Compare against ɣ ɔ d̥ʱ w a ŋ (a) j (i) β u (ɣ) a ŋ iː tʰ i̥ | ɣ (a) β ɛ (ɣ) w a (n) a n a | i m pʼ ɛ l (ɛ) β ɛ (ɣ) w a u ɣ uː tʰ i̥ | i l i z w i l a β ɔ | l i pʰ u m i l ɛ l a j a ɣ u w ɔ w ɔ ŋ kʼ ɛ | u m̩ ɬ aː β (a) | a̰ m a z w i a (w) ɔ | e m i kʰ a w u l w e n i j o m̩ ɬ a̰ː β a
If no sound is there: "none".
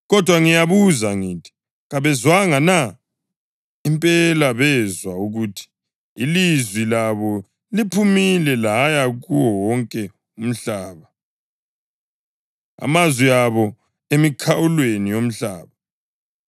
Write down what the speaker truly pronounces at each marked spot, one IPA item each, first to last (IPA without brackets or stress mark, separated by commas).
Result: i, a, z, a, z, ŋ, a, z, a, β